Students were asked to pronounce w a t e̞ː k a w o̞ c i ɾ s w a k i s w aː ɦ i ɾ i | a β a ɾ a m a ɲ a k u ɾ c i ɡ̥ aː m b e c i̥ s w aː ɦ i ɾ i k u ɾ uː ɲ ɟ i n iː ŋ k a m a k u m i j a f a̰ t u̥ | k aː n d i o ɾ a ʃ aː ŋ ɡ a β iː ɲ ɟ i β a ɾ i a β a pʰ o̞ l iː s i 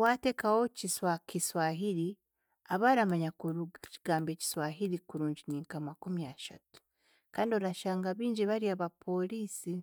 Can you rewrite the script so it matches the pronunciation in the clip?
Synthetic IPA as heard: w a t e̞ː k a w o̞ c i s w a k i s w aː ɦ i ɾ i | a β a ɾ a m a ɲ a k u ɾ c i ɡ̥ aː m b e c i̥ s w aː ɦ i ɾ i k u ɾ uː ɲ ɟ i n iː ŋ k a m a k u m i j a ʃ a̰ t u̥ | k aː n d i o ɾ a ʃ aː ŋ ɡ a β iː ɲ ɟ i β a ɾ i a β a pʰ o̞ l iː s i